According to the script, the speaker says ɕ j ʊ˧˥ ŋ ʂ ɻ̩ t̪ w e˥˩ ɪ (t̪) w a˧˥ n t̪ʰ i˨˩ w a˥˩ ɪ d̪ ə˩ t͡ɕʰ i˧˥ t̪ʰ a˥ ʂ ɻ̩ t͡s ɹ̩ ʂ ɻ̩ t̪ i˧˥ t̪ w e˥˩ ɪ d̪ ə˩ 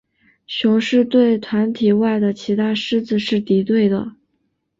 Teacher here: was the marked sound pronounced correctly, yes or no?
no